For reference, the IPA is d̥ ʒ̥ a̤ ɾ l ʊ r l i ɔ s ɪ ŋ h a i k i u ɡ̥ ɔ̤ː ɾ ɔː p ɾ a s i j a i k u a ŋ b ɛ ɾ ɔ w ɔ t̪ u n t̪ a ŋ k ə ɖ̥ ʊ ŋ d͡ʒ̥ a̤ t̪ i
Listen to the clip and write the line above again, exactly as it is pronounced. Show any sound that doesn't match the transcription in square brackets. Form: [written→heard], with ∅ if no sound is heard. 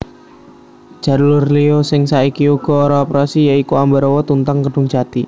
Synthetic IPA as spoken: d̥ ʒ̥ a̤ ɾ l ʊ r l i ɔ s ɪ ŋ [h→s] a i k i u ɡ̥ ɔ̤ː ɾ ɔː p ɾ a s i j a i k u a [ŋ→m] b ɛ ɾ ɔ w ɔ t̪ u n t̪ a ŋ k ə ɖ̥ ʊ ŋ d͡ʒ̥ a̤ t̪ i